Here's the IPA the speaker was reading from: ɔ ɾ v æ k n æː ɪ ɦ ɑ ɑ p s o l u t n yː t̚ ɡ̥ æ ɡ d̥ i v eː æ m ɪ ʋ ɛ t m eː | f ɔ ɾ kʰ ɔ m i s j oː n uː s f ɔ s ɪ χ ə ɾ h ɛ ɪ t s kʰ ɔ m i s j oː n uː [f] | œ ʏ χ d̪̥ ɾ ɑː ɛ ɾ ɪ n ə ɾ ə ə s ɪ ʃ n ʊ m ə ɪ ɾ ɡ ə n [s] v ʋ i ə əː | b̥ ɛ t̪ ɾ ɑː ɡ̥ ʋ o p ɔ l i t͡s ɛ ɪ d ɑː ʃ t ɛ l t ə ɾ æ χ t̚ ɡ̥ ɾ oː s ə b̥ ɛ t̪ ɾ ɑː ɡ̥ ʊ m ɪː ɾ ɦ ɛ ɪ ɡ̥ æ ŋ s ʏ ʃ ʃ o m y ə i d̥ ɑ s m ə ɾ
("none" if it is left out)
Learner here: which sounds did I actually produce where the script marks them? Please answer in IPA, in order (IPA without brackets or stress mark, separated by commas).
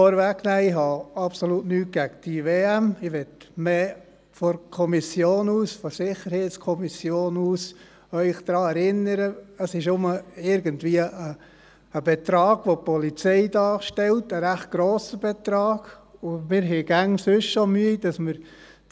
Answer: s, t